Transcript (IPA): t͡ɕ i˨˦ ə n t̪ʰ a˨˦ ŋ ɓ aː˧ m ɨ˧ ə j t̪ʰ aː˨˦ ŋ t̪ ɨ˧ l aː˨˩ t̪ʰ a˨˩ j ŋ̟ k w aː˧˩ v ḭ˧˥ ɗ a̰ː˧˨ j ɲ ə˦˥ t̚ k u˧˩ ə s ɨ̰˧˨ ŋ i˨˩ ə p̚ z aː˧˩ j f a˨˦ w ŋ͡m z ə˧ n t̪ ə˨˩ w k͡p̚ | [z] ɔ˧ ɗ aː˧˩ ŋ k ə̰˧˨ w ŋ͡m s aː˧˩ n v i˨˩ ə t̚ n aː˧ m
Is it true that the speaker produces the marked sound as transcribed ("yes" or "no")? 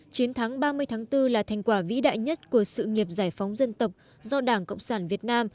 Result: yes